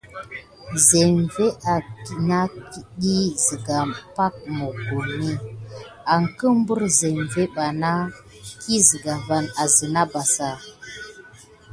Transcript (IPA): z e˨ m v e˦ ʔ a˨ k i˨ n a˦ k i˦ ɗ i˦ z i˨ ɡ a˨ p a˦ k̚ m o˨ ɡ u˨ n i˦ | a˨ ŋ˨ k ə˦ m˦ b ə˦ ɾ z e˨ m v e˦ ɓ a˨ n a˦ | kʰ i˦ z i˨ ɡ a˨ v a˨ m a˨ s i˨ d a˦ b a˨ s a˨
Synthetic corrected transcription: z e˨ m v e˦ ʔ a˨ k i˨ n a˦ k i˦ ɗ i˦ z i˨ ɡ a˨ p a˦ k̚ m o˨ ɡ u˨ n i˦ | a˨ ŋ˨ k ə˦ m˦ b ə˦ ɾ z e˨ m v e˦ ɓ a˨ n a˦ | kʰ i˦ z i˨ ɡ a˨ v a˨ n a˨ z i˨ n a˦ b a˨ s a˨